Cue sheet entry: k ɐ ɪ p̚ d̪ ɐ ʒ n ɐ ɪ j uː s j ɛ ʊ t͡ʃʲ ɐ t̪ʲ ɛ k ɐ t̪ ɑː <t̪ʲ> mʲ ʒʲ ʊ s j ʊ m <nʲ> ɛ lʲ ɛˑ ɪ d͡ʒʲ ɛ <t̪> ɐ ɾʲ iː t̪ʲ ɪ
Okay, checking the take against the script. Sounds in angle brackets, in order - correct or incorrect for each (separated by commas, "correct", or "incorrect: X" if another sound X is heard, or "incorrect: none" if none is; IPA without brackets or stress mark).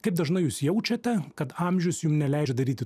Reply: incorrect: none, correct, incorrect: d̪